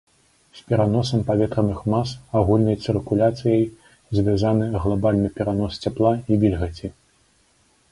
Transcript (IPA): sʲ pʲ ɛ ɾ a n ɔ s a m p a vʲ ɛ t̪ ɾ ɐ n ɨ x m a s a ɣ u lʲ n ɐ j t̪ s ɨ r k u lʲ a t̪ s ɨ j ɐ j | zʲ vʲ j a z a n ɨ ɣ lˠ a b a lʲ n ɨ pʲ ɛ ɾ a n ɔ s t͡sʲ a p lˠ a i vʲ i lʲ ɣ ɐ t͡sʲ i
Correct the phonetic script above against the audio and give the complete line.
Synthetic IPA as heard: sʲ pʲ ɛ ɾ a n ɔ s ɐ m p a vʲ ɛ t̪ ɾ ɐ n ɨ x m a s a ɣ u lʲ n ɐ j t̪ s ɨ r k u lʲ a t̪ s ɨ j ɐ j | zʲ vʲ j a z a n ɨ ɣ lˠ a b a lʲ n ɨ pʲ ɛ ɾ a n ɔ s t͡sʲ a p lˠ a i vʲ i lʲ ɣ ɐ t͡sʲ i

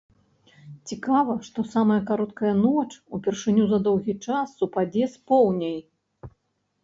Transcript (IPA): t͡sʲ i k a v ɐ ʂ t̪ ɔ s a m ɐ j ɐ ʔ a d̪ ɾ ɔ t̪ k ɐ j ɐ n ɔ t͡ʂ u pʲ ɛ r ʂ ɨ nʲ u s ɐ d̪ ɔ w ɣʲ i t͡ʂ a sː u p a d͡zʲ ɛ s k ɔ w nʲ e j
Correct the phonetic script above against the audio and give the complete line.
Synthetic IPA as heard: t͡sʲ i k a v ɐ ʂ t̪ ɔ s a m ɐ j ɐ k a ɾ ɔ t̪ k ɐ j ɐ n ɔ t͡ʂ u pʲ ɛ r ʂ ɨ nʲ u z ɐ d̪ ɔ w ɣʲ i t͡ʂ a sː u p a d͡zʲ ɛ s p ɔ w nʲ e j

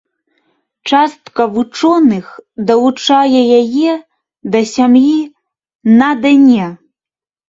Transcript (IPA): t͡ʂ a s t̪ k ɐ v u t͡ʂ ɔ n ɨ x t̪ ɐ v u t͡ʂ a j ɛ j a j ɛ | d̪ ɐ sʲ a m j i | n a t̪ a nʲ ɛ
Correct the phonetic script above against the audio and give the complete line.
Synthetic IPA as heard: t͡ʂ a s t̪ k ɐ v u t͡ʂ ɔ n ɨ x d̪ ɐ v u t͡ʂ a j ɛ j a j ɛ | d̪ ɐ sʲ a m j i | n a d̪ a nʲ ɛ

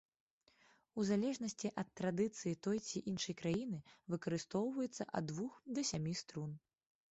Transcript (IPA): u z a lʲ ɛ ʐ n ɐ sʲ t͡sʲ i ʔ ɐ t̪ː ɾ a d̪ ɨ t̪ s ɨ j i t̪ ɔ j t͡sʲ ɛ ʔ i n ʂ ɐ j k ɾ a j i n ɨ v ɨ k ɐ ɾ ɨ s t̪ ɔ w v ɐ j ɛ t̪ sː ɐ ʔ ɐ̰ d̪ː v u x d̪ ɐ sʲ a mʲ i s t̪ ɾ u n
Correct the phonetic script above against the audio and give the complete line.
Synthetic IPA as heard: u z a lʲ ɛ ʐ n ɐ sʲ t͡sʲ i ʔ ɐ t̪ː ɾ a d̪ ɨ t̪ s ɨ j i t̪ ɔ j t͡sʲ i ʔ i n ʂ ɐ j k ɾ a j i n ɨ v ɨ k ɐ ɾ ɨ s t̪ ɔ w v ɐ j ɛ t̪ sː ɐ ʔ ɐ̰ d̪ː v u x d̪ ɐ sʲ a mʲ i s t̪ ɾ u n

